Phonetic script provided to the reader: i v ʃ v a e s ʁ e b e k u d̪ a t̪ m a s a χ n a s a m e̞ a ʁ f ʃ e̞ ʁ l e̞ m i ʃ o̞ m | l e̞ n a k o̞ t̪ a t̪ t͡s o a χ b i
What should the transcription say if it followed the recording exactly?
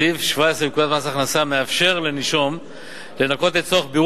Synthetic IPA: i v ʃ v a e s ʁ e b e k u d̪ a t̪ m a s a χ n a s a m e̞ a f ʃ e̞ ʁ l e̞ n i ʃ o̞ m | l e̞ n a k o̞ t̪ e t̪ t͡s o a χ b i